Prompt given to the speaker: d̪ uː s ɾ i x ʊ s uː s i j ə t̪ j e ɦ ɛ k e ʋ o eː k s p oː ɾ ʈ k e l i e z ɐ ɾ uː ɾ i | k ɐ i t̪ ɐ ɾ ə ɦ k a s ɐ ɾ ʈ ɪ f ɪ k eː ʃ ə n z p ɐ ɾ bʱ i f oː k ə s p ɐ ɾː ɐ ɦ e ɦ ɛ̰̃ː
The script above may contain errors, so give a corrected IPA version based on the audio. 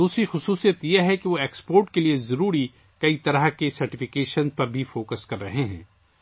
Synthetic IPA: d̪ uː s ɾ i x ʊ s uː s i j ə t̪ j e ɦ ɛ k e ʋ o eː k s p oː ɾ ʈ k e l i e z ɐ ɾ uː ɾ i | k ɐ i t̪ ɐ ɾ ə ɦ k e s ɐ ɾ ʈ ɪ f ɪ k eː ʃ ə n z p ɐ ɾ bʱ i f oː k ə s k ɐ ɾː ɐ ɦ e ɦ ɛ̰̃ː